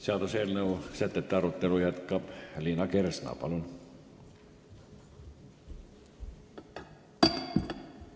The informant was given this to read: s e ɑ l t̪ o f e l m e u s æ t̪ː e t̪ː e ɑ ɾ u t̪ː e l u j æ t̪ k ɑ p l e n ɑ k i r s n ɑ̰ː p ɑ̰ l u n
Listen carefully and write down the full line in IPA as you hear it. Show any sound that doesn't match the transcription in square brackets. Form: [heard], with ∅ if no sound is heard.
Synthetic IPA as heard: s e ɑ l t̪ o [s] e l [n] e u s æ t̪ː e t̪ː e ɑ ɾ u t̪ː e l u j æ t̪ k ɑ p l [i] n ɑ k [e] r s n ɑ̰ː p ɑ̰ l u n